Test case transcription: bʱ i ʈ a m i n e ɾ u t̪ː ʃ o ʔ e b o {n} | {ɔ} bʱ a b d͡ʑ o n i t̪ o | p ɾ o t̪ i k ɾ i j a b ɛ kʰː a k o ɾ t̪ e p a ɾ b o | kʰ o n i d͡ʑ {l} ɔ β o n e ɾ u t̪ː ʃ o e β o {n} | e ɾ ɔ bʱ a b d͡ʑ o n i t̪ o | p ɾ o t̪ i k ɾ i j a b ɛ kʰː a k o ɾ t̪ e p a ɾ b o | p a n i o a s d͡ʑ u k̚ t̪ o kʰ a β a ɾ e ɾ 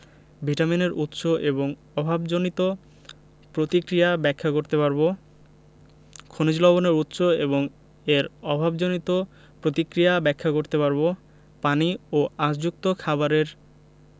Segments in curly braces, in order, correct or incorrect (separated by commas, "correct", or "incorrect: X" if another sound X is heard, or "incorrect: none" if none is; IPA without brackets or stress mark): incorrect: ŋ, correct, correct, incorrect: ŋ